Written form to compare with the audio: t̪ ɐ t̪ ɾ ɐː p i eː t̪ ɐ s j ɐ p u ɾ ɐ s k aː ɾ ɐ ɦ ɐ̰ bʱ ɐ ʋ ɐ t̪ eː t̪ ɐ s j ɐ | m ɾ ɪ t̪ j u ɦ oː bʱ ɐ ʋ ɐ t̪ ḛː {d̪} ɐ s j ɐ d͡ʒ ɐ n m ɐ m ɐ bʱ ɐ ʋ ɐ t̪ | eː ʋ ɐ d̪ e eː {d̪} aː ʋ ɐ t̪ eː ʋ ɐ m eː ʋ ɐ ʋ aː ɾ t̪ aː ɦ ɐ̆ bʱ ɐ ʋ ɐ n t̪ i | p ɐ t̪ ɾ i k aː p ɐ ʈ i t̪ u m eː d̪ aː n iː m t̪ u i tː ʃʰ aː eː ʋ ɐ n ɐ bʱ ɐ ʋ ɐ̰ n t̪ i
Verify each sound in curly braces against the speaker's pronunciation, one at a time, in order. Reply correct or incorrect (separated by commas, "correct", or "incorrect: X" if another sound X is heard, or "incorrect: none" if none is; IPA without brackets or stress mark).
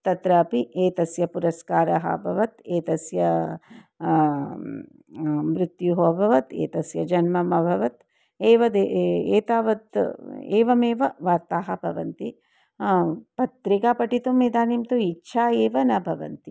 incorrect: t̪, incorrect: t̪